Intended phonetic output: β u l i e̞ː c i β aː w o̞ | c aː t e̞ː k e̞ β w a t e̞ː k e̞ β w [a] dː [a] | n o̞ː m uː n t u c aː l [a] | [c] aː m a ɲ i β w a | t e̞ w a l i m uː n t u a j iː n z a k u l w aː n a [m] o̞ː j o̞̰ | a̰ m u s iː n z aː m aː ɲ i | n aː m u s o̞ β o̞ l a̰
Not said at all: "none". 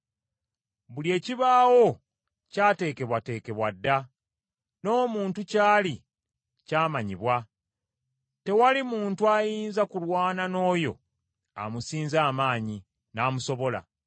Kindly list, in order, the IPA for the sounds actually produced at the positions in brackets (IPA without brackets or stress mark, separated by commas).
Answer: a, a, i, c, n